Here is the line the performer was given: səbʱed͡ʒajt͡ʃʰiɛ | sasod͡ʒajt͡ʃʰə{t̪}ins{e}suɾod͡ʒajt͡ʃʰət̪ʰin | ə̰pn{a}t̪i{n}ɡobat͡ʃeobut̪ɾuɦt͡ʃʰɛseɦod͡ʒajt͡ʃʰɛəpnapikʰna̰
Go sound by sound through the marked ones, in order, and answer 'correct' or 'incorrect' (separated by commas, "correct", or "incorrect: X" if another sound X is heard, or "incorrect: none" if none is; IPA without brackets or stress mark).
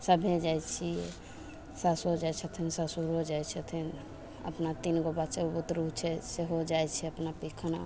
incorrect: t̪ʰ, incorrect: a, correct, correct